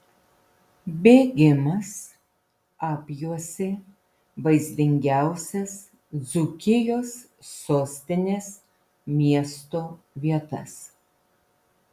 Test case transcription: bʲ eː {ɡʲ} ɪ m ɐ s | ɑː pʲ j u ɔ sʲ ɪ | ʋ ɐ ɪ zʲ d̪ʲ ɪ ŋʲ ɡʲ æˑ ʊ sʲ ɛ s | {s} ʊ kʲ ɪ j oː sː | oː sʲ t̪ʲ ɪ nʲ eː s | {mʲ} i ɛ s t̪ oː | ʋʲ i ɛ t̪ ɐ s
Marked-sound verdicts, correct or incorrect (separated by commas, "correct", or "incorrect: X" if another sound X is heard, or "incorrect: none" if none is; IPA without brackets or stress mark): correct, incorrect: z, correct